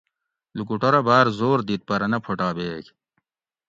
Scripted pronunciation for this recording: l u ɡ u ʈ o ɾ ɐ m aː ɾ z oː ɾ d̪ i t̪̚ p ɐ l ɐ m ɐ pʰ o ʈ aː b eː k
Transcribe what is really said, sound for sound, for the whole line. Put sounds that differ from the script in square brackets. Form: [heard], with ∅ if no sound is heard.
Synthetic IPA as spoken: l u [k] u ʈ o ɾ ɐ [b] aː ɾ z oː ɾ d̪ i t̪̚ p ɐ [ɾ] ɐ [n] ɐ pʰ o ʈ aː b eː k